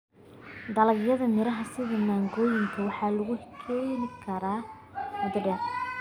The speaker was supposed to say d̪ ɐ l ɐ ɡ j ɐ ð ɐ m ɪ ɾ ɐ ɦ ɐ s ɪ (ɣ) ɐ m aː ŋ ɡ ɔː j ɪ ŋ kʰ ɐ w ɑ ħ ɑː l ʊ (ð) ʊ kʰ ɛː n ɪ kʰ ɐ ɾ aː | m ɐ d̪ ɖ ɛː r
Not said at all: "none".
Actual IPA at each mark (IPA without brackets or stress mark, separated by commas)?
ð, ɣ